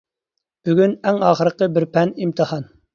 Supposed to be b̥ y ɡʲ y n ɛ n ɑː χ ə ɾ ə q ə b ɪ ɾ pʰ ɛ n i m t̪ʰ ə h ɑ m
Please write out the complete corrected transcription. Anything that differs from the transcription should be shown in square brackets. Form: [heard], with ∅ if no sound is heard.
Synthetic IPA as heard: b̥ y ɡʲ y n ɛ [ŋ] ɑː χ ə ɾ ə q ə b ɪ ɾ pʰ ɛ n i m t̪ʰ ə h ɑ [n]